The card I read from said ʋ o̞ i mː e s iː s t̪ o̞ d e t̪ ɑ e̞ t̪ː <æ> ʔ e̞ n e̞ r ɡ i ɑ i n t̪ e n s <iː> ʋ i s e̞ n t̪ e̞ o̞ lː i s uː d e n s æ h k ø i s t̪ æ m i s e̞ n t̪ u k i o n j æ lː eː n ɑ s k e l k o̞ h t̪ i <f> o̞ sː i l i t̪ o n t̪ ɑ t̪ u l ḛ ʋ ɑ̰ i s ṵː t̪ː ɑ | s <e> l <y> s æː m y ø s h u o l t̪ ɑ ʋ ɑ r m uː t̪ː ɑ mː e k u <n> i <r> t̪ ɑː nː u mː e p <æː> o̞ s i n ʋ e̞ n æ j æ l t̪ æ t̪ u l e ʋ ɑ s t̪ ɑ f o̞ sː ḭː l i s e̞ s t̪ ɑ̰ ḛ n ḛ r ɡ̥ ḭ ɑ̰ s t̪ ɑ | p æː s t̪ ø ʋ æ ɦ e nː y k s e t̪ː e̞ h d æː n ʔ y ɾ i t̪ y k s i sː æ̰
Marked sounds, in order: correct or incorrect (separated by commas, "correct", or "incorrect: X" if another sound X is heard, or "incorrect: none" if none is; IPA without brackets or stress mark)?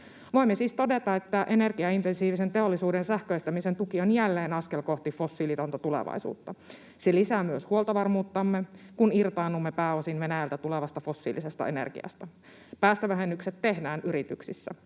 correct, correct, correct, correct, incorrect: i, correct, correct, correct